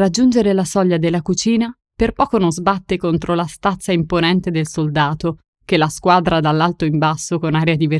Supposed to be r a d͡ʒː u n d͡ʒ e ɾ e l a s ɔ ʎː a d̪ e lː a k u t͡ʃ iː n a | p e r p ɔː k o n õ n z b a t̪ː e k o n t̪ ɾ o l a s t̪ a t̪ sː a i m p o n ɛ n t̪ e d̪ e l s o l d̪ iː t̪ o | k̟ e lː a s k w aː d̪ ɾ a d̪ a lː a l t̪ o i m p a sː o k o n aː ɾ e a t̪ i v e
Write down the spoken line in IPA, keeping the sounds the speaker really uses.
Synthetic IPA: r a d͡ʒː u n d͡ʒ e ɾ e l a s ɔ ʎː a d̪ e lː a k u t͡ʃ iː n a | p e r p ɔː k o n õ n z b a t̪ː e k o n t̪ ɾ o l a s t̪ a t̪ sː a i m p o n ɛ n t̪ e d̪ e l s o l d̪ aː t̪ o | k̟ e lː a s k w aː d̪ ɾ a d̪ a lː a l t̪ o i m b a sː o k o n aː ɾ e a d̪ i v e